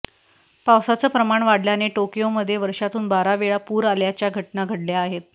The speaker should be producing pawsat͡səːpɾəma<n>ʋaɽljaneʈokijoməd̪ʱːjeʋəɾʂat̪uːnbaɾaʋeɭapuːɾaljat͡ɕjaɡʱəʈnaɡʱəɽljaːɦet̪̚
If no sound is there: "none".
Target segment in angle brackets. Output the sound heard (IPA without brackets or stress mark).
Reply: ɳ